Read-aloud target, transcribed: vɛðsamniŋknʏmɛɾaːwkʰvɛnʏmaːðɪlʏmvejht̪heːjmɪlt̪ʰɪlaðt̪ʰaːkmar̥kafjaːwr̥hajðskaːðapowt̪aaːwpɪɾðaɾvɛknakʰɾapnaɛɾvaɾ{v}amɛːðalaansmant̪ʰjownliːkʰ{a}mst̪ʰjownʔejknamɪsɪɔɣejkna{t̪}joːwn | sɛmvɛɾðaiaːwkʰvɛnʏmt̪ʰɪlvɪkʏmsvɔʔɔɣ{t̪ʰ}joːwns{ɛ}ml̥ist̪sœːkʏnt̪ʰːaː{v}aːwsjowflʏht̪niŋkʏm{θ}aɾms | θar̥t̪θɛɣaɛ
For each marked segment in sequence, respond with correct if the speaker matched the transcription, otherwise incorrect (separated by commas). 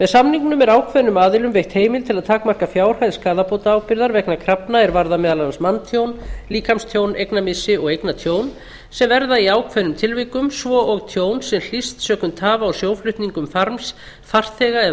incorrect, correct, incorrect, correct, correct, correct, incorrect